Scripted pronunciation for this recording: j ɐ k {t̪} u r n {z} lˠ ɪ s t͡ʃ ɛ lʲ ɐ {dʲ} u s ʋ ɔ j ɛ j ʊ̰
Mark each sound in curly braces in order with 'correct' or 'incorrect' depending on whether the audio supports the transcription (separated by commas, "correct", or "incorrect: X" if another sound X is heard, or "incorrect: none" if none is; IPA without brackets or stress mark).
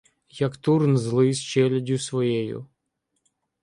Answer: correct, correct, correct